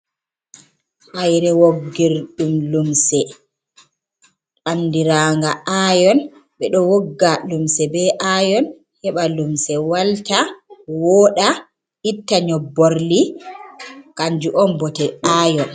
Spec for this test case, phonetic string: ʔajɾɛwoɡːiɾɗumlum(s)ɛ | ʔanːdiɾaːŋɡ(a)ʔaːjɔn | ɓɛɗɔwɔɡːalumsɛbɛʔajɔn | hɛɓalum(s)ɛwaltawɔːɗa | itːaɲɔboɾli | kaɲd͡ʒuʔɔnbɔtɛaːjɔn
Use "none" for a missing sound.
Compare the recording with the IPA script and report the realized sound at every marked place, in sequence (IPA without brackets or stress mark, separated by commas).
s, a, s